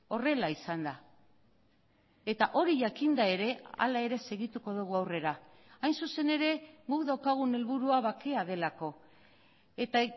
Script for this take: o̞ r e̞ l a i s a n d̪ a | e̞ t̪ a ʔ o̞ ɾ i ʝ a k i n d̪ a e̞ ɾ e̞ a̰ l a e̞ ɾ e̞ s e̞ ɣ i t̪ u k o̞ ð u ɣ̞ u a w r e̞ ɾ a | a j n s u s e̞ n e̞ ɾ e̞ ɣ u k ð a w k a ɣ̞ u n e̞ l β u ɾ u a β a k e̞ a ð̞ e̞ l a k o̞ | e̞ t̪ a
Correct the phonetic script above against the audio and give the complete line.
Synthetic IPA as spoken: o̞ r e̞ l a i s a n d̪ a | e̞ t̪ a ʔ o̞ ɾ i ʝ a k i n d̪ a e̞ ɾ e̞ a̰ l a e̞ ɾ e̞ s e̞ ɣ i t̪ u k o̞ ð u ɣ̞ u a w r e̞ ɾ a | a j n s u s e̞ n e̞ ɾ e̞ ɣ u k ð a w k a ɣ̞ u n e̞ l β u ɾ u a β a k e̞ a ð̞ e̞ l a k o̞ | e̞ t̪ a